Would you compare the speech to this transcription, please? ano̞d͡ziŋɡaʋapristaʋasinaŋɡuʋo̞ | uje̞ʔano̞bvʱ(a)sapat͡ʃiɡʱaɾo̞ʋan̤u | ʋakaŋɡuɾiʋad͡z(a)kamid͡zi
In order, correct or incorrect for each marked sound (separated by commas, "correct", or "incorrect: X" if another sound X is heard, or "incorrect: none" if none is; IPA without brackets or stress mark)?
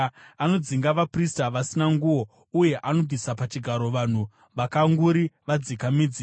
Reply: incorrect: i, incorrect: i